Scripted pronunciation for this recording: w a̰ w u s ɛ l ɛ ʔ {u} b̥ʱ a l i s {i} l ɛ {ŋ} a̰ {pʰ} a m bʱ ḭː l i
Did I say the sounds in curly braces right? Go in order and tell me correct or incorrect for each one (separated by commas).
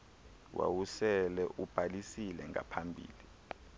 correct, correct, correct, correct